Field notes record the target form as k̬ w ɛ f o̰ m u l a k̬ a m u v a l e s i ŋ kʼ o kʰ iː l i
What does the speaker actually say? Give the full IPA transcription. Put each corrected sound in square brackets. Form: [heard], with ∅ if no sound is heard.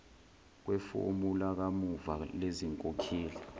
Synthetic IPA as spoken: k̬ w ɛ f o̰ m u l a k̬ a m u v a l e [z] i ŋ kʼ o kʰ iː l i